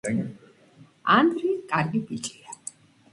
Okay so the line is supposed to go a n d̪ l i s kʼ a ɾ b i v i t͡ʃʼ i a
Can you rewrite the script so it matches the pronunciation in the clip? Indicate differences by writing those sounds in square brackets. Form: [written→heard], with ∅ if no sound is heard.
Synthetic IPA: a n d̪ [l→ɾ] i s kʼ a ɾ [b→ɡ] i [v→b] i t͡ʃʼ i a